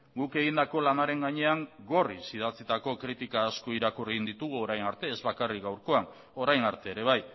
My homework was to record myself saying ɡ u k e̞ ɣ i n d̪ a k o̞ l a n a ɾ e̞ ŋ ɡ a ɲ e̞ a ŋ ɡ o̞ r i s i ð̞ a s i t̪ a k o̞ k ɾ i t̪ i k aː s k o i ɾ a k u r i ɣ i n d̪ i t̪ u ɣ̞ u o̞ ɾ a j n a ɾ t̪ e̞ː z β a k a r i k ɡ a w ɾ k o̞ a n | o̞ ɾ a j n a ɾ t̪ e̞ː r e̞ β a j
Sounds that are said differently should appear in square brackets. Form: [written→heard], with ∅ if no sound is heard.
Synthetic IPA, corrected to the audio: ɡ u k e̞ ɣ i n d̪ a k o̞ l a n a ɾ e̞ ŋ ɡ a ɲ e̞ a ŋ ɡ o̞ r i s i ð̞ a [s→t͡s] i t̪ a k o̞ k ɾ i t̪ i k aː s k o i ɾ a k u r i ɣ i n d̪ i t̪ u ɣ̞ u o̞ ɾ a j n a ɾ t̪ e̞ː z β a k a r i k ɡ a w ɾ k o̞ a n | o̞ ɾ a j n a ɾ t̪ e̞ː [r→ɾ] e̞ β a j

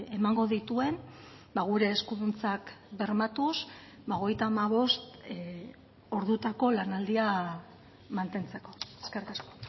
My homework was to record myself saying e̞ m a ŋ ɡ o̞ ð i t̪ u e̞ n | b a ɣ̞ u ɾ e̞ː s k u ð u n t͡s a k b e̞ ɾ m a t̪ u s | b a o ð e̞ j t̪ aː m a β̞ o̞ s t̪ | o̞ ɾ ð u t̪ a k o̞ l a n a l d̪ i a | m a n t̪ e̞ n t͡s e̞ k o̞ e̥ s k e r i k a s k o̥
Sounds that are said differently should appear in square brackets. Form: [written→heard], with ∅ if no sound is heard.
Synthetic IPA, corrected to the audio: e̞ m a ŋ ɡ o̞ ð i t̪ u e̞ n | b a ɣ̞ u ɾ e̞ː s k u ð u n t͡s a k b e̞ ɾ m a t̪ u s | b a o [ð→ɣ] e̞ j t̪ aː m a β̞ o̞ s t̪ | o̞ ɾ ð u t̪ a k o̞ l a n a l d̪ i a | m a n t̪ e̞ n t͡s e̞ k o̞ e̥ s k e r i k a s k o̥

